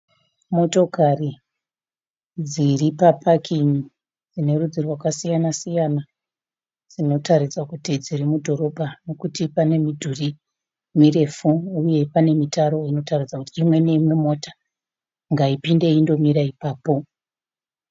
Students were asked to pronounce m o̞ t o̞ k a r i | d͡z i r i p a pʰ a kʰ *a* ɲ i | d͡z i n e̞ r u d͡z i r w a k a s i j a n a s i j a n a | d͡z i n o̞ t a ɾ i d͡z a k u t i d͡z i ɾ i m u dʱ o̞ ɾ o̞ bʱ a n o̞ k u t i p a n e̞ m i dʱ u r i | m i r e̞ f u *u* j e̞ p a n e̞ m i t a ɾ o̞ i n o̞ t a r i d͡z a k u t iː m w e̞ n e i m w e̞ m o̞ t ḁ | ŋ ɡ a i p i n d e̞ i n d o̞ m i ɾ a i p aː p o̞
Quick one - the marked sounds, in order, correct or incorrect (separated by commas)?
incorrect, correct